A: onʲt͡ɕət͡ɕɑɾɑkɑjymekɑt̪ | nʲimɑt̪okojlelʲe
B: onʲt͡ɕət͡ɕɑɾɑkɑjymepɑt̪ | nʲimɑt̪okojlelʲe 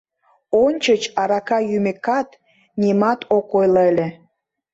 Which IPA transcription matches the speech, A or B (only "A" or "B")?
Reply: A